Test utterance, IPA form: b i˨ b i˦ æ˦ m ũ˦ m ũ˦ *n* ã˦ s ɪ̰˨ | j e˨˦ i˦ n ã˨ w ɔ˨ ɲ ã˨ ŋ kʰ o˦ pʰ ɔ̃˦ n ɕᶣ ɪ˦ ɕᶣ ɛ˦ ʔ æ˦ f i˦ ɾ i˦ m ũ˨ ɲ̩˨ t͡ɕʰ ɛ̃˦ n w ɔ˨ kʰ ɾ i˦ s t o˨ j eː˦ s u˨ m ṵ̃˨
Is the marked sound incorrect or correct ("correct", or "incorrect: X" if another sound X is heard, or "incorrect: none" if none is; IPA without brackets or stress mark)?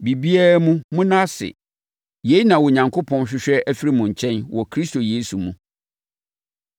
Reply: correct